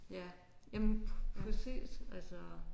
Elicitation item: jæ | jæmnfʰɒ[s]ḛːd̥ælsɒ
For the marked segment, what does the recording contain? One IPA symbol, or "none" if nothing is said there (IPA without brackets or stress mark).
s